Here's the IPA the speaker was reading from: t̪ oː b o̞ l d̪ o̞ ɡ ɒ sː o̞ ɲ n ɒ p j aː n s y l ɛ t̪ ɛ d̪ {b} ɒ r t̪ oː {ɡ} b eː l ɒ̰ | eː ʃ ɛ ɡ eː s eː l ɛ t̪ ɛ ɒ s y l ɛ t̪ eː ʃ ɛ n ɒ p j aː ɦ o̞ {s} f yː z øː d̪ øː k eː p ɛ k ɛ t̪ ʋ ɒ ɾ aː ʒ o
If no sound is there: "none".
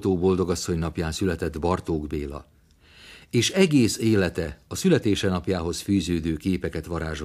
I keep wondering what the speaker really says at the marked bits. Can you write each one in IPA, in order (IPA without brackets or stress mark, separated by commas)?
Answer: b, ɡ, s